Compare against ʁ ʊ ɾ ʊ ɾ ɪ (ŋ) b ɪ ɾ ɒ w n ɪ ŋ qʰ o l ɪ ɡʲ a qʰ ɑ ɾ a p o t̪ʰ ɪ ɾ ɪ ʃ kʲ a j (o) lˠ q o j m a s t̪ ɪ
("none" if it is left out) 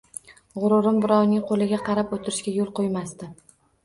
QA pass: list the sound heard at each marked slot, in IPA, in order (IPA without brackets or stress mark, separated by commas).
m, o